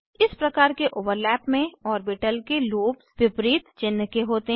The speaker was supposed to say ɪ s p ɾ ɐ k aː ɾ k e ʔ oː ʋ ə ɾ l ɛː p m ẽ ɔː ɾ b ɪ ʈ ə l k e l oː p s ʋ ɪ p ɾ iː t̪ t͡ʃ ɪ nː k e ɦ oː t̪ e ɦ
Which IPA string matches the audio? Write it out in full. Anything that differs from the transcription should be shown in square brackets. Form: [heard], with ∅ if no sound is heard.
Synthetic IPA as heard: ɪ s p ɾ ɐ k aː ɾ k e ʔ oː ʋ ə ɾ l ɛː p m ẽ ɔː ɾ b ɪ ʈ ə l k e l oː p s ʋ ɪ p ɾ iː t̪ t͡ʃ ɪ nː k e ɦ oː t̪ e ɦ